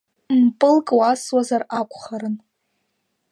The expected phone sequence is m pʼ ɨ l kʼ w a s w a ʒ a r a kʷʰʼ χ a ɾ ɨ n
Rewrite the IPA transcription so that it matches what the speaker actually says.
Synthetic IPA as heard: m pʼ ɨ l kʼ w a s w a z a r a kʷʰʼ χ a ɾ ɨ n